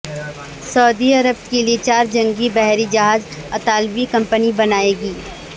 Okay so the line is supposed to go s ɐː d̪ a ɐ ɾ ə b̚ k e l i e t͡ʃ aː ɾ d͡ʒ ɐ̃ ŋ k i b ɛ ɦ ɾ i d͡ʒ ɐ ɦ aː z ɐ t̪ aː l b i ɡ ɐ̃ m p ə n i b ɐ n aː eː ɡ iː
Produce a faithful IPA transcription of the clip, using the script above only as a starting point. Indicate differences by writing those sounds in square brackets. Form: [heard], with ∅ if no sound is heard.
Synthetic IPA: s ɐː d̪ [i] ɐ ɾ ə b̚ k e l i e t͡ʃ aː ɾ d͡ʒ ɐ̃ ŋ [ɡ] i b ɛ ɦ ɾ i d͡ʒ ɐ ɦ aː z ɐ t̪ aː l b i [k] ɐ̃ m p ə n i b ɐ n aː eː ɡ iː